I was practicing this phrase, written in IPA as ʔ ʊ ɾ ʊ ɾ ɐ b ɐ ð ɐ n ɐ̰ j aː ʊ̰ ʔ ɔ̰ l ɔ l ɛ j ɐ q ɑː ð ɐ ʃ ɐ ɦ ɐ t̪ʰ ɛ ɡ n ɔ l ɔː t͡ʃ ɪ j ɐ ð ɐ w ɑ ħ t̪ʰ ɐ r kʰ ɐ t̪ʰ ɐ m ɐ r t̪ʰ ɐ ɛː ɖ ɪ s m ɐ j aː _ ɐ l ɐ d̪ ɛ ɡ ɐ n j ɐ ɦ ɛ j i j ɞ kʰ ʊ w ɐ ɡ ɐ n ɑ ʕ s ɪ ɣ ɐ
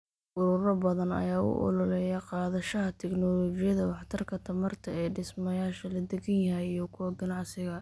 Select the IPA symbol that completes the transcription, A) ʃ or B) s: A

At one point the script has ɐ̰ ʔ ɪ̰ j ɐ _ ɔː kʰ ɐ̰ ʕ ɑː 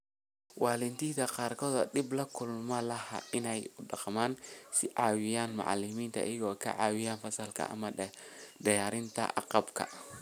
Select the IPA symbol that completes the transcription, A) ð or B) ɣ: B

